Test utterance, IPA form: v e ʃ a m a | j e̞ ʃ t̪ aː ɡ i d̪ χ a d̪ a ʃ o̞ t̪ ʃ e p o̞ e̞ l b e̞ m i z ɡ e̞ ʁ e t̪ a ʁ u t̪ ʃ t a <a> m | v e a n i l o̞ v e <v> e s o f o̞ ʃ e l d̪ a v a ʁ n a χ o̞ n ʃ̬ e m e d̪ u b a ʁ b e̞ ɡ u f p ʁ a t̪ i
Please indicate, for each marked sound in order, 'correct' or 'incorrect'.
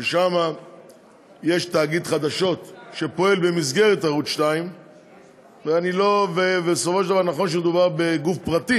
incorrect: i, correct

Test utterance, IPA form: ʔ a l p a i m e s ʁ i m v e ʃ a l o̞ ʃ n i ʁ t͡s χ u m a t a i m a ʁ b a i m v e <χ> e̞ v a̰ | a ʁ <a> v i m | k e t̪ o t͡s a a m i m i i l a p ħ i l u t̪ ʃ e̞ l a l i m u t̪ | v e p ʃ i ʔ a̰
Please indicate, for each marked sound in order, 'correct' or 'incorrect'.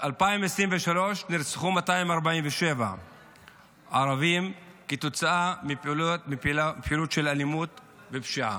incorrect: ʃ, correct

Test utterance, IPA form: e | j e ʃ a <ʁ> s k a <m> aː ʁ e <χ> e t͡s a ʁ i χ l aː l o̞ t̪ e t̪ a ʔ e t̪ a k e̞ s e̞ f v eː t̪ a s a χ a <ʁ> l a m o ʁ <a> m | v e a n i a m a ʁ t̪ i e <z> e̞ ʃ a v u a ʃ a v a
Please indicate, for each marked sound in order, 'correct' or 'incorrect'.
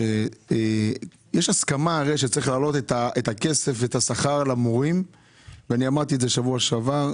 incorrect: none, correct, incorrect: ʃ, correct, incorrect: i, correct

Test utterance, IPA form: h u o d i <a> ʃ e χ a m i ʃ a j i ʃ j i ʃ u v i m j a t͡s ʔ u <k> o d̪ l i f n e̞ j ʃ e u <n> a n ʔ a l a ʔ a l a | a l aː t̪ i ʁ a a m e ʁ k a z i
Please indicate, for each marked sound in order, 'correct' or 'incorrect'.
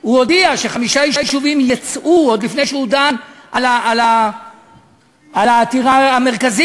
correct, incorrect: none, incorrect: d

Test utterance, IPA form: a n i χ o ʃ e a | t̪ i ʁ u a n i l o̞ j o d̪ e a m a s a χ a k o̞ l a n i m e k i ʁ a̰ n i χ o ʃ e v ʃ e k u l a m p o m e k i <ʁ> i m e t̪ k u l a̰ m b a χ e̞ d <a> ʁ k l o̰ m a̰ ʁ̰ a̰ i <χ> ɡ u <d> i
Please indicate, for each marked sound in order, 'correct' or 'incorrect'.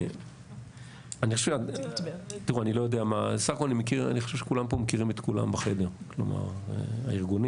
correct, incorrect: e, incorrect: ʁ, incorrect: n

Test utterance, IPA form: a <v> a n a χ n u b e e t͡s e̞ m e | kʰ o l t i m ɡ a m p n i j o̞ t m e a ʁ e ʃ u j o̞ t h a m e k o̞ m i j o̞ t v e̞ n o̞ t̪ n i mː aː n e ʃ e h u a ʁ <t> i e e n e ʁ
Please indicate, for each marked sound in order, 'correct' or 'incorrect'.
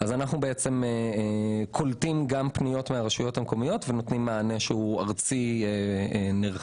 incorrect: z, incorrect: t͡s

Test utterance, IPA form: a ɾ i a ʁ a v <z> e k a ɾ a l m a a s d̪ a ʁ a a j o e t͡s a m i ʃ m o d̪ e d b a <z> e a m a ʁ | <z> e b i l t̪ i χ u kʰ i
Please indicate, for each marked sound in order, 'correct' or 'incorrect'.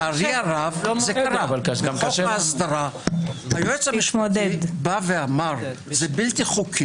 correct, incorrect: v, correct

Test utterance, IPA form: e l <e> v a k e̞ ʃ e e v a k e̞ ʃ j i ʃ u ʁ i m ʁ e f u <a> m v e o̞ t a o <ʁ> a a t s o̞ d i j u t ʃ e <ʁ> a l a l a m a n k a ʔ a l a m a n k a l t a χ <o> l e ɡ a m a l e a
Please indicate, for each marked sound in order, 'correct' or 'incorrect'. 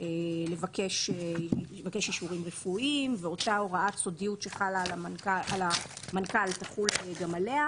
correct, incorrect: i, correct, incorrect: χ, incorrect: u

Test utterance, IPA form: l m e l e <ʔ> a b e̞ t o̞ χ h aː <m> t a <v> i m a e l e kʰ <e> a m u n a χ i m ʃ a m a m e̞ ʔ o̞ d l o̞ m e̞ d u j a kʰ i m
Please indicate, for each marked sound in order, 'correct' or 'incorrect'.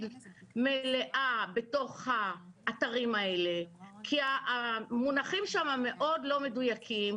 correct, incorrect: none, incorrect: ʁ, incorrect: i

